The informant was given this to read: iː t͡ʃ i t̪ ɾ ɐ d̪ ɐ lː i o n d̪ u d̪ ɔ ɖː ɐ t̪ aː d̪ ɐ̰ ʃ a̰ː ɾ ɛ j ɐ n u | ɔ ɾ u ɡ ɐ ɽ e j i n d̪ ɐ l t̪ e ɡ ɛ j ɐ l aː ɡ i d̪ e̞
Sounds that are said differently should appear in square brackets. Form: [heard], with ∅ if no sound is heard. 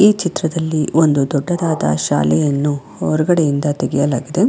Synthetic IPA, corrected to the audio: iː t͡ʃ i t̪ ɾ ɐ d̪ ɐ lː i o n d̪ u d̪ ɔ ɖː ɐ [d̪] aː d̪ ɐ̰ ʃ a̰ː [l] ɛ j ɐ [nː] u | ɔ ɾ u ɡ ɐ ɽ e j i n d̪ ɐ [∅] t̪ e ɡ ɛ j ɐ l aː ɡ i d̪ e̞